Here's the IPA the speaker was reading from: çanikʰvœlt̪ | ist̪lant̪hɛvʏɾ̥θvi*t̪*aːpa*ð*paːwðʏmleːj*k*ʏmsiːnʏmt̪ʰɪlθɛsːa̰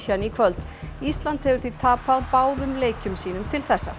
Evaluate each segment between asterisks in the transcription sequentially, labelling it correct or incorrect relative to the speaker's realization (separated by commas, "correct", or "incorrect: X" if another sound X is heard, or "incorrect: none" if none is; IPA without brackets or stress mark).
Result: incorrect: t̪ʰ, correct, incorrect: c